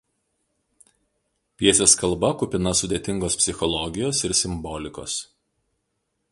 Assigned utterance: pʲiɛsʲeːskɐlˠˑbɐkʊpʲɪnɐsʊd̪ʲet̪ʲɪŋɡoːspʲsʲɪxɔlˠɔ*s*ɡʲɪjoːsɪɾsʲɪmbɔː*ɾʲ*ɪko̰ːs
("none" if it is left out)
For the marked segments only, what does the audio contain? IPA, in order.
none, lʲ

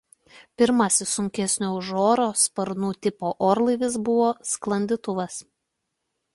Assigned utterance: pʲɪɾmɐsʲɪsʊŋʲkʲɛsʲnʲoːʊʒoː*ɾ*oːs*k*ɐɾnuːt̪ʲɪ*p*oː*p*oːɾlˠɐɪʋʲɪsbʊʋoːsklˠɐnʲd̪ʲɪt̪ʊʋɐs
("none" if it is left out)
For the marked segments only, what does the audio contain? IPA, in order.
ɾ, p, p, ʔ

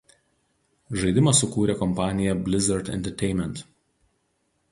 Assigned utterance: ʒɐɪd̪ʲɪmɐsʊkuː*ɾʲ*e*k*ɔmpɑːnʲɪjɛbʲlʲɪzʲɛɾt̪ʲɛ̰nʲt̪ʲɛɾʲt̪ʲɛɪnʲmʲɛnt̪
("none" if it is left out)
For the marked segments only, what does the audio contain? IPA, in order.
ɾʲ, k

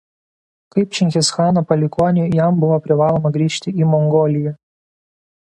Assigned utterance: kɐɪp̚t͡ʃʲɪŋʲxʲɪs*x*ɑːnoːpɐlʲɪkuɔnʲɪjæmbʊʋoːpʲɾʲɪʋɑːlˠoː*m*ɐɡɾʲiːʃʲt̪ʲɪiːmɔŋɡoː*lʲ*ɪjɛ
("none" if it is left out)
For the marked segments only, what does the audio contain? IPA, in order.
x, m, lʲ

